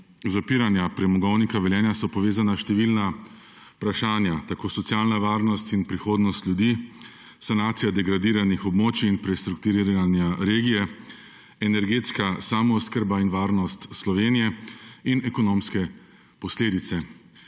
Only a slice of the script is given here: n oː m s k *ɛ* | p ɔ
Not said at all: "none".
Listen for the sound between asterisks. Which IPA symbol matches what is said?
ɛ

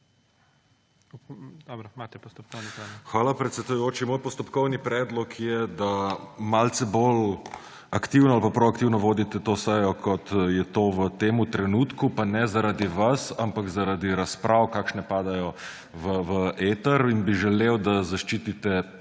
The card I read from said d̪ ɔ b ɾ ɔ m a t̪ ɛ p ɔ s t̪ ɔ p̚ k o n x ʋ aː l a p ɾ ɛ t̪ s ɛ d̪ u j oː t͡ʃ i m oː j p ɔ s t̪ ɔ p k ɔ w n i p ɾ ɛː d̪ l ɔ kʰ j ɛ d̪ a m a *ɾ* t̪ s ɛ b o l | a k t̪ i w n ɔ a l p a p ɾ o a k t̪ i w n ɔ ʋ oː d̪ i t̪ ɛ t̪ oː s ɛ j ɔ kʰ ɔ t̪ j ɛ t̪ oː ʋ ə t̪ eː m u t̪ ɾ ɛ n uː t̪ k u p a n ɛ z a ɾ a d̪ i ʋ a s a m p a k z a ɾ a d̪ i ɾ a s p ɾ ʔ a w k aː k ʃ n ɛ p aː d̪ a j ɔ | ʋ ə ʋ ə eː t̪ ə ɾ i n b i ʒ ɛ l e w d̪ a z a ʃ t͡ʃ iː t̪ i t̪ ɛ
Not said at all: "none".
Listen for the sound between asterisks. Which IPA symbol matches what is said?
l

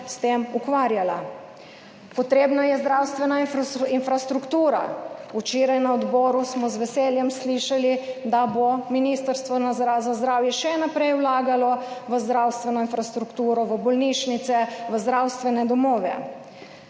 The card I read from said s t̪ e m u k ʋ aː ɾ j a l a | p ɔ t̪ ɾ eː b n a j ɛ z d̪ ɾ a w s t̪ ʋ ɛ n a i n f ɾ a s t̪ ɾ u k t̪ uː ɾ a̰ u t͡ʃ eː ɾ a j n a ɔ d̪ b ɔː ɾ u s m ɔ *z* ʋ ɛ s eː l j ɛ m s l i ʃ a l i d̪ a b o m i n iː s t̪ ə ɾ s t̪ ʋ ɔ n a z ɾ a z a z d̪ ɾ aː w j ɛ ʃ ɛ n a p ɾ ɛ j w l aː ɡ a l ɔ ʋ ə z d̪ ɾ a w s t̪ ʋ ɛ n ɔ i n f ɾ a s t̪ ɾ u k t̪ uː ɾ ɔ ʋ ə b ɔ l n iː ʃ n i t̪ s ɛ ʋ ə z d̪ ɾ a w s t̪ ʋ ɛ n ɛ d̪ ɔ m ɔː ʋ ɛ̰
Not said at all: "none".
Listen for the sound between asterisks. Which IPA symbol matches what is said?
z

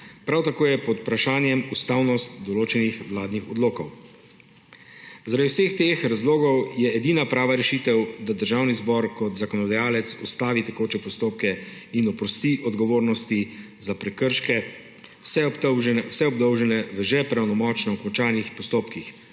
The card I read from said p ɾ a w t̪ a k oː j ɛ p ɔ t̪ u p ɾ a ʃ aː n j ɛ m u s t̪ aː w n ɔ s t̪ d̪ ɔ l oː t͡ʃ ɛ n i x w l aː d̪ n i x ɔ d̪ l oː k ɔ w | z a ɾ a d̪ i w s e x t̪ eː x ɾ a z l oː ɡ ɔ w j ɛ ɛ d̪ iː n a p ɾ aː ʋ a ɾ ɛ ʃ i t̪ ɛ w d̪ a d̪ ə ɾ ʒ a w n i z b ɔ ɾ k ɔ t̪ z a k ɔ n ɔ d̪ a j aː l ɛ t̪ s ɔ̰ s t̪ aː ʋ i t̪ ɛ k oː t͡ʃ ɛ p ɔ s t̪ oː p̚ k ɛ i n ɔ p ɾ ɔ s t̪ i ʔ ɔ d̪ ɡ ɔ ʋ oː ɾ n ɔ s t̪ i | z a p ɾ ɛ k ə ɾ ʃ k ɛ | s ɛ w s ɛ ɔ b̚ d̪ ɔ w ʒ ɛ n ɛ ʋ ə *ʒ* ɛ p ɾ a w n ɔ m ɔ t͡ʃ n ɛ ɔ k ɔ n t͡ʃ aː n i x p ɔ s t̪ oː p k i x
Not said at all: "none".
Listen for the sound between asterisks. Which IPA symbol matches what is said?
ʒ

